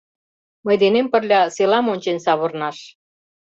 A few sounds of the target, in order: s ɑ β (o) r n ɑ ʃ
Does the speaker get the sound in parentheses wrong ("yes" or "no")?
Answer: no